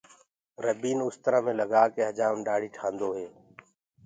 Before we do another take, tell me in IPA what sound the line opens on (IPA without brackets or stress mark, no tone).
ɾ